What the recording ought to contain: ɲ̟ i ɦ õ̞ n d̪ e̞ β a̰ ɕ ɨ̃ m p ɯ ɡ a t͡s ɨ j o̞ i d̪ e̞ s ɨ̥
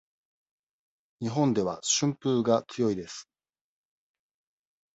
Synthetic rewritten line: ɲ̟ i ɦ õ̞ n d̪ e̞ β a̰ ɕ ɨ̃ m p ɯː ɡ a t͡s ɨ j o̞ i d̪ e̞ s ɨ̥